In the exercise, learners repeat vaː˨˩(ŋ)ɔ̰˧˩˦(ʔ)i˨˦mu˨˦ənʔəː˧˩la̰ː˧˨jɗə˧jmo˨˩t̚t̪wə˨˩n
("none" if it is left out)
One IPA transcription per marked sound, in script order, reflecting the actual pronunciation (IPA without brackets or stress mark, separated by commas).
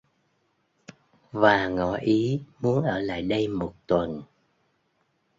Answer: ŋ, ʔ